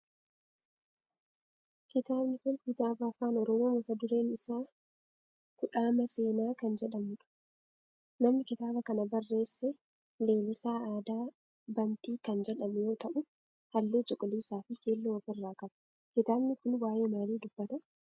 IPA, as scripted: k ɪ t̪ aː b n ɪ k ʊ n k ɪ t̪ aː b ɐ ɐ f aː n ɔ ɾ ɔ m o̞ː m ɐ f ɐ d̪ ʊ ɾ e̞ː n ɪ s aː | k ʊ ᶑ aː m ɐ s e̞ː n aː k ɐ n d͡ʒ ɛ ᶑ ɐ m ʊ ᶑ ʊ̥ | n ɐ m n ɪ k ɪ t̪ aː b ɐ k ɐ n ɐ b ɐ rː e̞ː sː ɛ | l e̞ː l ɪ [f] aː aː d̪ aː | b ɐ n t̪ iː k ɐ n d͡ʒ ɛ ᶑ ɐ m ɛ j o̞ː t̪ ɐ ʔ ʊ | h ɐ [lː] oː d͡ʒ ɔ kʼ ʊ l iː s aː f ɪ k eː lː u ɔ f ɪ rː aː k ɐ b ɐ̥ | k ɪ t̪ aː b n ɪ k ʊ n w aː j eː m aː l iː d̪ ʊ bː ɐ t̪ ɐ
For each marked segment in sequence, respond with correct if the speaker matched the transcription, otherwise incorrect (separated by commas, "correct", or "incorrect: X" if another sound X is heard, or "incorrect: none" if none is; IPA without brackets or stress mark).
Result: incorrect: s, correct